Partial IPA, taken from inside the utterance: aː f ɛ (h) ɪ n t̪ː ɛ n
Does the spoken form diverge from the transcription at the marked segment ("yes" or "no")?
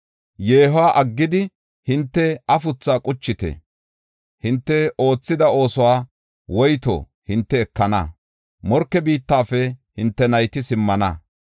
no